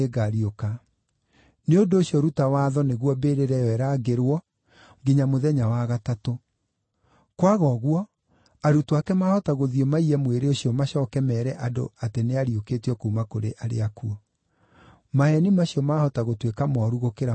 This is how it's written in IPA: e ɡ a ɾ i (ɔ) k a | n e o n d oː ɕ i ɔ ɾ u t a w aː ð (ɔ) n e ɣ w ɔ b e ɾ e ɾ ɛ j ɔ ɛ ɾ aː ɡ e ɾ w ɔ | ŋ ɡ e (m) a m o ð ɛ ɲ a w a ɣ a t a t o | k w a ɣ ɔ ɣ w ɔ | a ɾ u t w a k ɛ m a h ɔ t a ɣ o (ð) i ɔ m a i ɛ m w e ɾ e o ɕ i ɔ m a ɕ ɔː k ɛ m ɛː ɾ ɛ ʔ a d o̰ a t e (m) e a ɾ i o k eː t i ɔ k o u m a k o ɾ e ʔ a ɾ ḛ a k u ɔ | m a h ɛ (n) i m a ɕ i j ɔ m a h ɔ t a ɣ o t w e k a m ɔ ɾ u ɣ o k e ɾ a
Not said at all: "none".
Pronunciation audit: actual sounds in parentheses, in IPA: o, ɔ, ɲ, ð, n, n

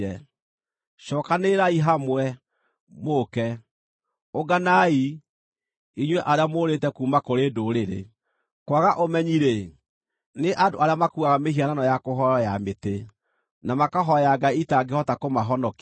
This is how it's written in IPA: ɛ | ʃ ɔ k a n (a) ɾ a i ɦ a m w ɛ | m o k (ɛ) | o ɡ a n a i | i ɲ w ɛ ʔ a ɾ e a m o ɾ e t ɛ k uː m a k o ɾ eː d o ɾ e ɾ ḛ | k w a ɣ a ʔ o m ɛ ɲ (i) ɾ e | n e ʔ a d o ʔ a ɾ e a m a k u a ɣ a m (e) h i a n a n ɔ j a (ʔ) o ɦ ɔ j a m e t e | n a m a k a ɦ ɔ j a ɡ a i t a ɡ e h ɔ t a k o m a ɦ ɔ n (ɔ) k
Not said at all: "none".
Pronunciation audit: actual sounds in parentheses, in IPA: e, ɛ, i, e, k, ɔ

